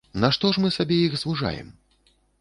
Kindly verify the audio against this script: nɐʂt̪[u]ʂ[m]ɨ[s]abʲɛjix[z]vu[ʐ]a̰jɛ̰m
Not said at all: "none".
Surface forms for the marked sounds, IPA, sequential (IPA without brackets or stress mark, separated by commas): ɔ, m, s, z, ʐ